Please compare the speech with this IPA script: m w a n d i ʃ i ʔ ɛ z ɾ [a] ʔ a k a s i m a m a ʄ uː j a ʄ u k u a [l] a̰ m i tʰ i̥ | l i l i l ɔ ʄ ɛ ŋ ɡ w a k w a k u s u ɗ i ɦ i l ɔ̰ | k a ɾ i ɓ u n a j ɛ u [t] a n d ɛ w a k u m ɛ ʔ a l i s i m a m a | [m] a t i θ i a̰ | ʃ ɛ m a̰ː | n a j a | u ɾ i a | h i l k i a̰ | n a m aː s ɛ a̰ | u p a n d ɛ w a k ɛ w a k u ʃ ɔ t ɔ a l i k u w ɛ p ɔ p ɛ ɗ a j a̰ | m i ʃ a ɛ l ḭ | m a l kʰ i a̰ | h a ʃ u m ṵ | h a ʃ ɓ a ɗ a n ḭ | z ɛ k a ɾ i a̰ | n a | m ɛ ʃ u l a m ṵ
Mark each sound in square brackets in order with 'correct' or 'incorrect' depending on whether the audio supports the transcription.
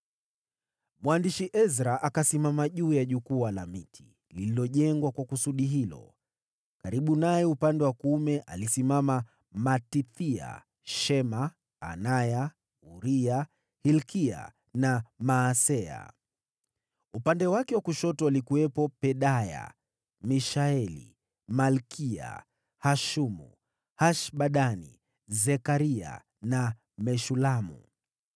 correct, correct, incorrect, correct

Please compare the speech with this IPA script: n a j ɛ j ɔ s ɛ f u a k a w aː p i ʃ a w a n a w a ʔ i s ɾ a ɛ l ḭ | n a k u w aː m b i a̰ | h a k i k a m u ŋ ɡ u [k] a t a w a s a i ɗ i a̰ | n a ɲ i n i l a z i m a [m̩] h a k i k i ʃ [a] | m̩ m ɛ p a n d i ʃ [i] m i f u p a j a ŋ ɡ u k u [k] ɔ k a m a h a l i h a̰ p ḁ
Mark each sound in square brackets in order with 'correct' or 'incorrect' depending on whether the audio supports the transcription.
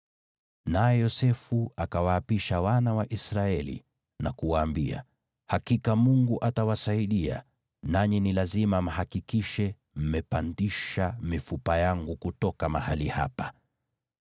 incorrect, correct, incorrect, incorrect, incorrect

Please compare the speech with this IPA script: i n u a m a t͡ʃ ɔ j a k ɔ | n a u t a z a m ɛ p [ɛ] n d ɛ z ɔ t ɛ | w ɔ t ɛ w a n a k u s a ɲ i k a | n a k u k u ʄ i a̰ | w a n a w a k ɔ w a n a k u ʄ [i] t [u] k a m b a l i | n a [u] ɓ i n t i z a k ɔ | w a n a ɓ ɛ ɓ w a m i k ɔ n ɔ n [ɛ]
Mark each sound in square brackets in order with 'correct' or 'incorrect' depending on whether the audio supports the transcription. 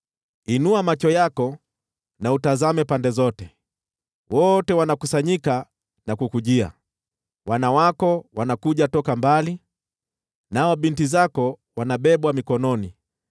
incorrect, incorrect, incorrect, incorrect, incorrect

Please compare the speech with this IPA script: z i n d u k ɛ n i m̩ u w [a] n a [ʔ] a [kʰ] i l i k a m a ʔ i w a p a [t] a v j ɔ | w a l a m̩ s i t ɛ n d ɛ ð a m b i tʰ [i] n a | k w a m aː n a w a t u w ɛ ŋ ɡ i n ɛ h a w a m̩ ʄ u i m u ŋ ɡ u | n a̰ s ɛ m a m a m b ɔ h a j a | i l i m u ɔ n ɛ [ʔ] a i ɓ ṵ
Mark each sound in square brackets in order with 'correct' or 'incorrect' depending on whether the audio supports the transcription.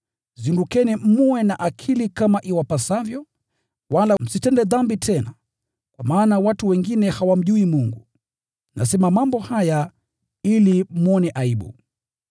incorrect, correct, correct, incorrect, incorrect, correct

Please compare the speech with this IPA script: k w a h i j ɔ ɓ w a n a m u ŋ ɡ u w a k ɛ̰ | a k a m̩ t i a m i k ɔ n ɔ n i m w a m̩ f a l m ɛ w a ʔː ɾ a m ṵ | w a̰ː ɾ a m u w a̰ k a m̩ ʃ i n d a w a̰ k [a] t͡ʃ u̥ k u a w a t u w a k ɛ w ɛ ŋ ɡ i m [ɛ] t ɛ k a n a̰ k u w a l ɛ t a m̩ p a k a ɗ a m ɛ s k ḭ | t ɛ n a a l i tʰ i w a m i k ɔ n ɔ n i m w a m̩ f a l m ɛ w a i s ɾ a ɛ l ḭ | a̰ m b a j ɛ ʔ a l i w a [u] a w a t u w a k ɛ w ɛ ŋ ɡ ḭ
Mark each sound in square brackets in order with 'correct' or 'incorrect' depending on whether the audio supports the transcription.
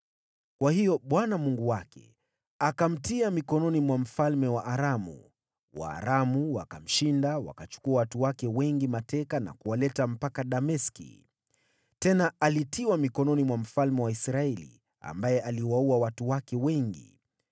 correct, incorrect, correct

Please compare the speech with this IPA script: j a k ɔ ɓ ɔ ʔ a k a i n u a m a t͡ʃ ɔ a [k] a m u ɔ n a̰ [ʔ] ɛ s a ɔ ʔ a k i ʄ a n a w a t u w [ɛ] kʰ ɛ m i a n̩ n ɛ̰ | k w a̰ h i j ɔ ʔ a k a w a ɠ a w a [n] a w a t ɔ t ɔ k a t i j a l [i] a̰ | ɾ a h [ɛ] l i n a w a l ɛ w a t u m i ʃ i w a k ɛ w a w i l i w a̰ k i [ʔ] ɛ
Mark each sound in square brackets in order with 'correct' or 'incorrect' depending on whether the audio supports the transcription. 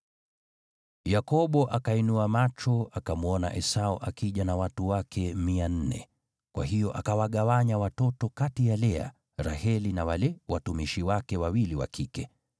correct, correct, incorrect, incorrect, incorrect, correct, incorrect

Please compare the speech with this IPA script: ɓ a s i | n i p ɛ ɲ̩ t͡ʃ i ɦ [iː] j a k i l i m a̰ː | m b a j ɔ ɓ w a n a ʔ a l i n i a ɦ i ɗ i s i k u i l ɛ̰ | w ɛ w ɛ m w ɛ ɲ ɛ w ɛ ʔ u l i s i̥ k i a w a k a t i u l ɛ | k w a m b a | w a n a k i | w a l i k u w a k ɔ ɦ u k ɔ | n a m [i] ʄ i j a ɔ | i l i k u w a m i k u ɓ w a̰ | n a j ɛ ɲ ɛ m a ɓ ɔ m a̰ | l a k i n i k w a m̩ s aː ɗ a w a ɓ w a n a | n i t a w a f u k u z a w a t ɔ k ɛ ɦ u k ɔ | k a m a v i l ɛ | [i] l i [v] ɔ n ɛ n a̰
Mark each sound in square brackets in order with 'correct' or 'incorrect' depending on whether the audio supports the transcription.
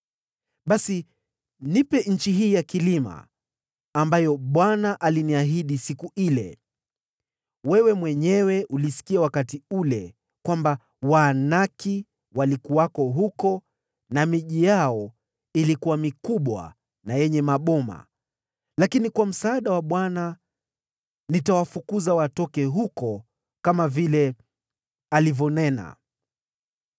correct, correct, incorrect, correct

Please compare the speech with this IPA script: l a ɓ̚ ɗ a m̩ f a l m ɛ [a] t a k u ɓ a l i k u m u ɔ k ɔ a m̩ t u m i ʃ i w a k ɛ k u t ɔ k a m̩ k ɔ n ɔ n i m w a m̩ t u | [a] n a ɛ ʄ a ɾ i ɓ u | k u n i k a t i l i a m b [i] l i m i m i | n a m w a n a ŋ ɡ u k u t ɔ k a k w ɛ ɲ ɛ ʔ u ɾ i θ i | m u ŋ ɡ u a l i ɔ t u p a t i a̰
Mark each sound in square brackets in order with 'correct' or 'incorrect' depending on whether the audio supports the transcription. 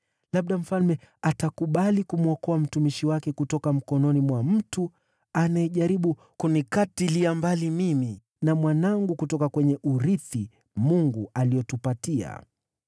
correct, correct, incorrect

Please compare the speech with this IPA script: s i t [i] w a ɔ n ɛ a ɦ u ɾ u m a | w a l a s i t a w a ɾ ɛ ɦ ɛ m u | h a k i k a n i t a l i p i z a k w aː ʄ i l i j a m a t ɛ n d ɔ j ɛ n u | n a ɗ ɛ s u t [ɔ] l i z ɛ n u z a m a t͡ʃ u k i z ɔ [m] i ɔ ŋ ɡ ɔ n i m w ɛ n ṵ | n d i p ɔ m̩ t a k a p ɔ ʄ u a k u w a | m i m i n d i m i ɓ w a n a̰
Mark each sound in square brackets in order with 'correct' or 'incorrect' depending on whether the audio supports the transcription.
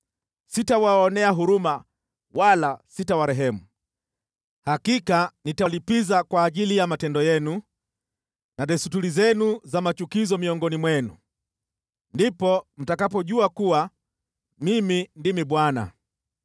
incorrect, incorrect, correct

